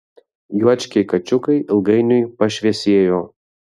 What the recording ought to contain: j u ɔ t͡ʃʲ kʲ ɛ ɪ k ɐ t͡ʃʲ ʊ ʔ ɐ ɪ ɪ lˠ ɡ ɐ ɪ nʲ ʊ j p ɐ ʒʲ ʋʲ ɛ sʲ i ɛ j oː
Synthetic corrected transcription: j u ɔ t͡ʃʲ kʲ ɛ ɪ k ɐ t͡ʃʲ ʊ k ɐ ɪ ɪ lˠ ɡ ɐ ɪ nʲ ʊ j p ɐ ʃʲ ʋʲ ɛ sʲ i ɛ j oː